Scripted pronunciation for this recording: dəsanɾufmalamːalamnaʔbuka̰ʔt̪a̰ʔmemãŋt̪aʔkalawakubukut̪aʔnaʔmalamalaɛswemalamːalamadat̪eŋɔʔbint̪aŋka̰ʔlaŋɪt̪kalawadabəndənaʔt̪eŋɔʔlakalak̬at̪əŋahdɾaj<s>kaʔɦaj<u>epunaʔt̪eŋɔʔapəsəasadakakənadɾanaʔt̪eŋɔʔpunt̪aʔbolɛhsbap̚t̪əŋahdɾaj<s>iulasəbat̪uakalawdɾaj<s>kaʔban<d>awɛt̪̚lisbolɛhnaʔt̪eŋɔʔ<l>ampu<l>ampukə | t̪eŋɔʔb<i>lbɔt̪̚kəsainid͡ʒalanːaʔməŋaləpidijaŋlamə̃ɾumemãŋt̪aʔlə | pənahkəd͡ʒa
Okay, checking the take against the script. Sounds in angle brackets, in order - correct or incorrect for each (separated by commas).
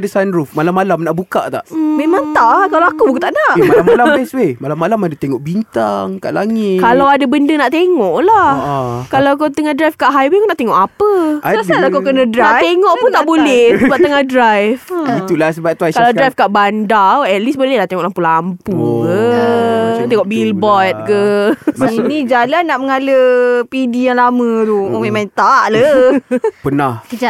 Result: incorrect, incorrect, incorrect, incorrect, correct, correct, correct, correct